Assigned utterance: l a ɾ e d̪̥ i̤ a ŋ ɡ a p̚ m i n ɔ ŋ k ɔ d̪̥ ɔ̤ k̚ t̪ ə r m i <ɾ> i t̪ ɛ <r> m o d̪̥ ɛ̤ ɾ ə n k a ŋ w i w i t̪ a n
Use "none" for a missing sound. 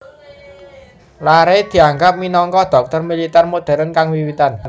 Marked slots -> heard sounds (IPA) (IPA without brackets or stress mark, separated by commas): l, r